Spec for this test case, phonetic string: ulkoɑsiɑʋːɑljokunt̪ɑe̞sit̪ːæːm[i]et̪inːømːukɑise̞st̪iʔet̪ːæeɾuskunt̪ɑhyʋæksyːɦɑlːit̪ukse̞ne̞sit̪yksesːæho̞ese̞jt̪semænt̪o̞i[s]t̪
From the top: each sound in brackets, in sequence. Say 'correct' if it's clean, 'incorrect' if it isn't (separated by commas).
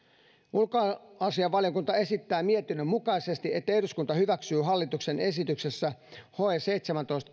correct, correct